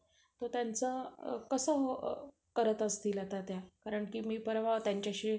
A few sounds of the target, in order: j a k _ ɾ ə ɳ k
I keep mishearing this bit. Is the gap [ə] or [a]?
a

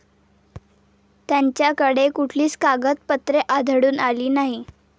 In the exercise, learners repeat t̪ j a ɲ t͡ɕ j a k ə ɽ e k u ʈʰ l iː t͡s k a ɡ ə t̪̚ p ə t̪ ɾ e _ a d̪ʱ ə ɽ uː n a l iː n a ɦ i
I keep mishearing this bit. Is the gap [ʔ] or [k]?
ʔ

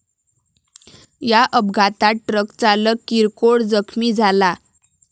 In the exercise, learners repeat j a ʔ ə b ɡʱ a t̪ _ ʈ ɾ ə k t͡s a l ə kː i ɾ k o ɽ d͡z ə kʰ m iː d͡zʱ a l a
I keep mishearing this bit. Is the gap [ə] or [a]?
a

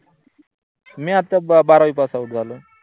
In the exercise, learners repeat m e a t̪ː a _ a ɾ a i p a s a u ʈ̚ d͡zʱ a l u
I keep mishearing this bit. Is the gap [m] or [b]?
b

